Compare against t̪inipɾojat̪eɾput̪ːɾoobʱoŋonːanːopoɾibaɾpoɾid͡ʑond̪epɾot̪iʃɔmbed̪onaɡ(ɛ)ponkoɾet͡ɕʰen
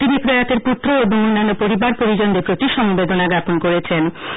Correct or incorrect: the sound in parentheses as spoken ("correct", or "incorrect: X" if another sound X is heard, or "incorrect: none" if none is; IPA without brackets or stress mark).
incorrect: a